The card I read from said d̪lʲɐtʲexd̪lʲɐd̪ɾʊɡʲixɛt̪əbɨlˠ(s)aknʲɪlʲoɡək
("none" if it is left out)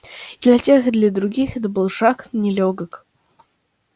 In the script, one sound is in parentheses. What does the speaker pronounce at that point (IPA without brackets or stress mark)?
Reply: ʂ